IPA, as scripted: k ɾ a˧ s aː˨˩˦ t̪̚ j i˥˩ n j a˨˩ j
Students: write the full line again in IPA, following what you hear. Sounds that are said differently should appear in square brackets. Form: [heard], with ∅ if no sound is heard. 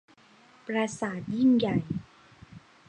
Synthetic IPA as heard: [p] ɾ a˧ s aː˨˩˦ t̪̚ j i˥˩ [ŋ] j a˨˩ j